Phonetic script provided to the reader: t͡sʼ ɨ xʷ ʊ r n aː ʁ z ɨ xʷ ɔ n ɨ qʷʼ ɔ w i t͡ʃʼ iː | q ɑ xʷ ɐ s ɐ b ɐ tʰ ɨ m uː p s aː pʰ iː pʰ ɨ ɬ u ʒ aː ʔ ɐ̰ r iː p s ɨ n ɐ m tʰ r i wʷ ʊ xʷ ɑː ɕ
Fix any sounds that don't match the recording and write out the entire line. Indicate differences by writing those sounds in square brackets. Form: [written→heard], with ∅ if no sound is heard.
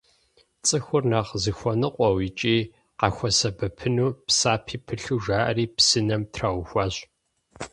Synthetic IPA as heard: t͡sʼ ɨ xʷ ʊ r n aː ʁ z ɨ xʷ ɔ n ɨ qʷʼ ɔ w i t͡ʃʼ iː | q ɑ xʷ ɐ s ɐ b ɐ [tʰ→pʰ] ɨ [m→n] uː p s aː pʰ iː pʰ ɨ ɬ u ʒ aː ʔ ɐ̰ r iː p s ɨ n ɐ m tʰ r [i→a] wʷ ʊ xʷ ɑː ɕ